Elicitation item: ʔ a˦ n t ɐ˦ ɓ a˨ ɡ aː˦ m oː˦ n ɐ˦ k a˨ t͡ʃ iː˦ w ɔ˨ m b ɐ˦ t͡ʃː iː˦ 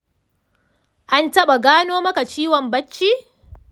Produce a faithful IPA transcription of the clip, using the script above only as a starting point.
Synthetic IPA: ʔ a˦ n t ɐ˦ ɓ a˨ ɡ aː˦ n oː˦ m ɐ˦ k a˨ t͡ʃ iː˦ w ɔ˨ m b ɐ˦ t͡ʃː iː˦